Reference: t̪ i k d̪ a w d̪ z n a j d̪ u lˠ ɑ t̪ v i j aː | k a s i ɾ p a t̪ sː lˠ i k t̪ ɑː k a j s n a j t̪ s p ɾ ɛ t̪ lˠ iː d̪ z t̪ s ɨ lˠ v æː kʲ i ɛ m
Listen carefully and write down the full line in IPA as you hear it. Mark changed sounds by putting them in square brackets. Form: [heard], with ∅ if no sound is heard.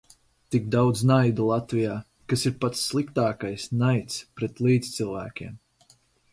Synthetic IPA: t̪ i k d̪ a w d̪ z n a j d̪ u lˠ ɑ t̪ v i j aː | k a s i ɾ p a t̪ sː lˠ i k t̪ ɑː k a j s n a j t̪ s p ɾ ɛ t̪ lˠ iː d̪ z t̪ s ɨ lˠ v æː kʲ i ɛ m